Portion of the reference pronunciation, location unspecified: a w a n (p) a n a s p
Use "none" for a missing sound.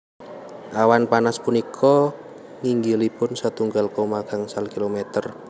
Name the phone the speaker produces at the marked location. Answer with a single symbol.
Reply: p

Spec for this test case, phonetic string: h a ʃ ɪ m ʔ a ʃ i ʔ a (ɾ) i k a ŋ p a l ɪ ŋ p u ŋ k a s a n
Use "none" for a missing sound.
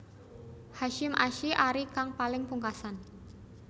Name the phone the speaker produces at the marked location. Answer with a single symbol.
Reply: ɾ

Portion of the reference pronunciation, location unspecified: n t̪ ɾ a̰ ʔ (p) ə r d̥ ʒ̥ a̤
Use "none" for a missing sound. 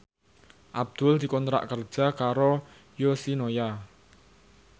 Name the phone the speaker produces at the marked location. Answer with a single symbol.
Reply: k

